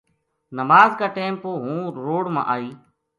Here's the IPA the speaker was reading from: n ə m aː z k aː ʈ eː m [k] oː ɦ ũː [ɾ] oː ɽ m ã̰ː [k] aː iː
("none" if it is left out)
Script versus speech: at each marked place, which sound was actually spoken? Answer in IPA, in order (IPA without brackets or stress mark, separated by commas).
p, ɾ, ʔ